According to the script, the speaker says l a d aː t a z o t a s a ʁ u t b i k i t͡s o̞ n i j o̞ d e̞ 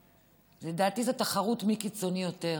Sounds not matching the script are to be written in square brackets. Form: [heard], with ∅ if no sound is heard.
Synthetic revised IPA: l [e] d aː t [i] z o t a [χ] a ʁ u t [m] i k i t͡s o̞ n i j o̞ [t] e̞